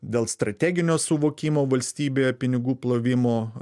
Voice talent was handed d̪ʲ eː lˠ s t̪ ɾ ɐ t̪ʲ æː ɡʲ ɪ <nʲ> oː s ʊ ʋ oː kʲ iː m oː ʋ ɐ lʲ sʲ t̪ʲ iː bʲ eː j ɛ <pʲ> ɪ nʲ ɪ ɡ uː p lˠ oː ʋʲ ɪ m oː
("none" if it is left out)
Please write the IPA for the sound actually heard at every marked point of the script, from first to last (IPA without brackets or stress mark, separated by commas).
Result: nʲ, pʲ